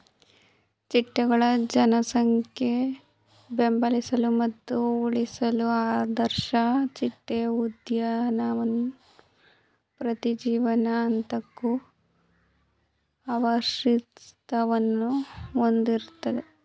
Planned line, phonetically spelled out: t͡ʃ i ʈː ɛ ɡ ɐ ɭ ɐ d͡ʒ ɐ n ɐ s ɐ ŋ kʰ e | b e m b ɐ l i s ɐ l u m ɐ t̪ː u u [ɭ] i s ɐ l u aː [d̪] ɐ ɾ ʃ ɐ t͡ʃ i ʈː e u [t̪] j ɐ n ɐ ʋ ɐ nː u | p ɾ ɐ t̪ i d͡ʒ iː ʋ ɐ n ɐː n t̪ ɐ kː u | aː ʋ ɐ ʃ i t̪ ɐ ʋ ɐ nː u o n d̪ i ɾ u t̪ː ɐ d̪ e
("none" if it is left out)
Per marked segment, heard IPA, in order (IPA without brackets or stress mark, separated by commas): ɭ, d̪, d̪